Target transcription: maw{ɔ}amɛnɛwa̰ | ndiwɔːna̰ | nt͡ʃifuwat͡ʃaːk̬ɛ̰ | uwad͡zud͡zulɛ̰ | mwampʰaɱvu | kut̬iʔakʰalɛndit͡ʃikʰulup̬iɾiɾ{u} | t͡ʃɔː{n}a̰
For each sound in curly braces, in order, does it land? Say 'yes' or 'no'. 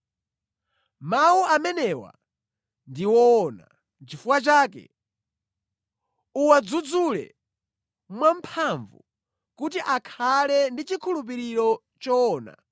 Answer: no, no, yes

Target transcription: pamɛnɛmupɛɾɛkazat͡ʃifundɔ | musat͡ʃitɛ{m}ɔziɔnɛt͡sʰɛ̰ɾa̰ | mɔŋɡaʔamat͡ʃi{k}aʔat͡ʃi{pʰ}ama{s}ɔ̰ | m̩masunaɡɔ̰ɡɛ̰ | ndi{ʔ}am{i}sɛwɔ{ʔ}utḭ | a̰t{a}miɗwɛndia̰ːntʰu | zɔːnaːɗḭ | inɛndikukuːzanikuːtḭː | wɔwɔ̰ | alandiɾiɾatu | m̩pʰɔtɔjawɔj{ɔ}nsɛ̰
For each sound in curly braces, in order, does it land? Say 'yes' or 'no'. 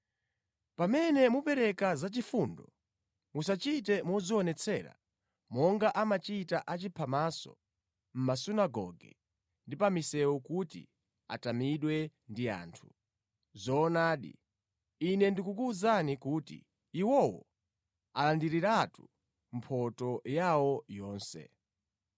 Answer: yes, no, yes, yes, no, yes, no, yes, no

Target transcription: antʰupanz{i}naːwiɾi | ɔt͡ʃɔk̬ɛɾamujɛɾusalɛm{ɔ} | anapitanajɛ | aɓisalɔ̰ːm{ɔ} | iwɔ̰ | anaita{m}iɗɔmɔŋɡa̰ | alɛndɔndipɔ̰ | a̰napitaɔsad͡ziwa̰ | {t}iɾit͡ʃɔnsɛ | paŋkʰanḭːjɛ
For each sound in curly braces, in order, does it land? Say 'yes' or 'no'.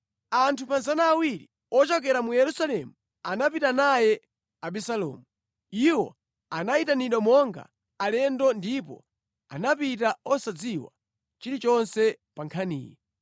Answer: no, no, no, no, no

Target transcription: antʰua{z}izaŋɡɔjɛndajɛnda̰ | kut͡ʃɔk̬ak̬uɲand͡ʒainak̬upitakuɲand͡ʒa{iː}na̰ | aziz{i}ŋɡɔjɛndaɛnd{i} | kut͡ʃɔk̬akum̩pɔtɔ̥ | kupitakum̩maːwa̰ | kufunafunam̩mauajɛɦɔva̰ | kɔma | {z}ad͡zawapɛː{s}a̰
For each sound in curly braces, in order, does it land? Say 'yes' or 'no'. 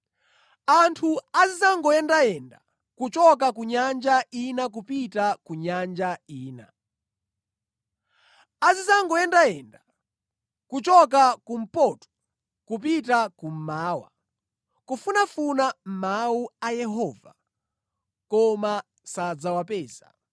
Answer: yes, yes, no, no, no, no

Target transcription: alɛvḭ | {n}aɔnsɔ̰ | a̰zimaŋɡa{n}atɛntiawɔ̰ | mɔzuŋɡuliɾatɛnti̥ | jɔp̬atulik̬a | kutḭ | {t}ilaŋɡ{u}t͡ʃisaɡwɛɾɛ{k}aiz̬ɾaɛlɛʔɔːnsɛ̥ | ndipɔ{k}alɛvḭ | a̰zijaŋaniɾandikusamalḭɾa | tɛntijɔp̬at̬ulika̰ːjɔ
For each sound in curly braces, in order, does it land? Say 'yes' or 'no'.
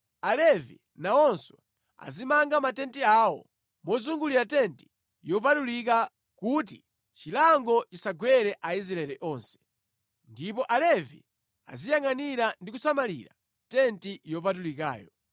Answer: yes, no, no, no, no, no

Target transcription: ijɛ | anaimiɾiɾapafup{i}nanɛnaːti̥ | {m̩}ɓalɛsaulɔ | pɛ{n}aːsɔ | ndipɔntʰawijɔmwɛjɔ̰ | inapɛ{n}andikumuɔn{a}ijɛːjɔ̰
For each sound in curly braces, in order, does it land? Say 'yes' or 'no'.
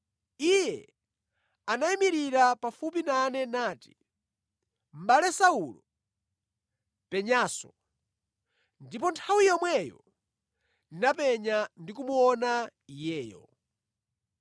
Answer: yes, yes, no, no, yes

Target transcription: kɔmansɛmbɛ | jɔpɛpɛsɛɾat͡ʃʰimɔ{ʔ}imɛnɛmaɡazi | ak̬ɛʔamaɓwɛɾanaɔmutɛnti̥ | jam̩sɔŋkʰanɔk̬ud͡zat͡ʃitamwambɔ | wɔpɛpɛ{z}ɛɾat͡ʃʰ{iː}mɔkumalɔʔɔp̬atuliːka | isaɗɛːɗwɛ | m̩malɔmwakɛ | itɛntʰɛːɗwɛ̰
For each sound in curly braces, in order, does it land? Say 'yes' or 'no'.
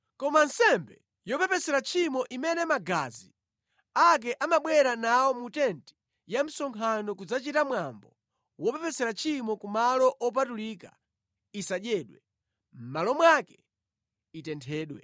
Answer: yes, no, no

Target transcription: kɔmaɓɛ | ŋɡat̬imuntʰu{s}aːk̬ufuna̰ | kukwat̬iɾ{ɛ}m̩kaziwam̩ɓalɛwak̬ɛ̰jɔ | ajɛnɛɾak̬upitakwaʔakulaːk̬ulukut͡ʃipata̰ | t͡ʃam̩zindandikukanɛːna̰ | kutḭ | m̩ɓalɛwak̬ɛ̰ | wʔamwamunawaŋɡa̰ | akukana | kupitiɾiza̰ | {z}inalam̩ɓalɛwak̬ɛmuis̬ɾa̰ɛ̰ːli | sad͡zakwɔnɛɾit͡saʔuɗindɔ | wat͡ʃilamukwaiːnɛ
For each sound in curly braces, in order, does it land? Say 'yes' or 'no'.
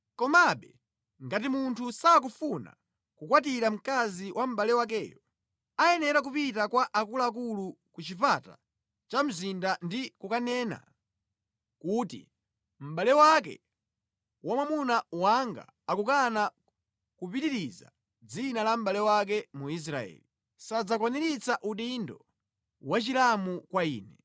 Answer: yes, no, no

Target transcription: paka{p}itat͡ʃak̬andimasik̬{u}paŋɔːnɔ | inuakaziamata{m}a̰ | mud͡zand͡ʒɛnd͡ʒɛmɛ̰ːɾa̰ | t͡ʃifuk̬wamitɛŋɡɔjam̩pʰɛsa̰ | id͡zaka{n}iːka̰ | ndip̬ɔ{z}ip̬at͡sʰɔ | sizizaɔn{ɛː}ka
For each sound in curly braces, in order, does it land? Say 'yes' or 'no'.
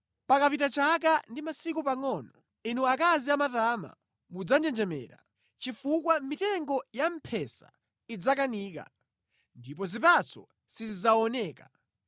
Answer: yes, yes, yes, yes, yes, yes

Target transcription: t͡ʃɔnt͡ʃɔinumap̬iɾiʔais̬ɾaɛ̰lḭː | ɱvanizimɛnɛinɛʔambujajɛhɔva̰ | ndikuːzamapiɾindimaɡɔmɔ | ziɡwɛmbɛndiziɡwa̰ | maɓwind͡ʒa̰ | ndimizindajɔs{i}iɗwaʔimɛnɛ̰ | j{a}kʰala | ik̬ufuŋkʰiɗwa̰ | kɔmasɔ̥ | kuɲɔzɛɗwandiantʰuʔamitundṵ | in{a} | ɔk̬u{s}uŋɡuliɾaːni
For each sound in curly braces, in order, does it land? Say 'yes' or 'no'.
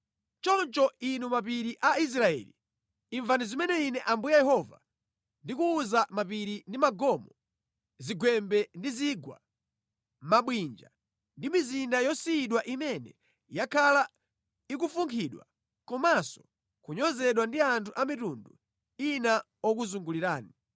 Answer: yes, yes, yes, no

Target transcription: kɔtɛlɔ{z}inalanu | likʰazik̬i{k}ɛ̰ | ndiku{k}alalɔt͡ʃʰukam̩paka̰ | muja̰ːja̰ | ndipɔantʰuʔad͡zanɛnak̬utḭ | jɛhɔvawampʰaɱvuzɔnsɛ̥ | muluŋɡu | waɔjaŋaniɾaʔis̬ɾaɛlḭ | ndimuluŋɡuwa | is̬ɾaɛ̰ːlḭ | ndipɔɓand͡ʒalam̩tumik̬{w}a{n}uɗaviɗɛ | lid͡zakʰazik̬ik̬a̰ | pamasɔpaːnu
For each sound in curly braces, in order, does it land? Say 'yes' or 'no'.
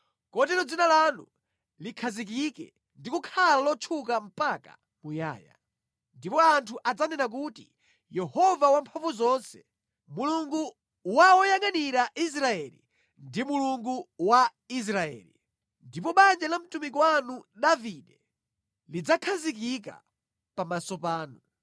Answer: no, yes, no, yes, yes

